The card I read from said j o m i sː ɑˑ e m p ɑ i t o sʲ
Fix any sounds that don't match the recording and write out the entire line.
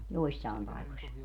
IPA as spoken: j o i sː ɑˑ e m p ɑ i k o sʲ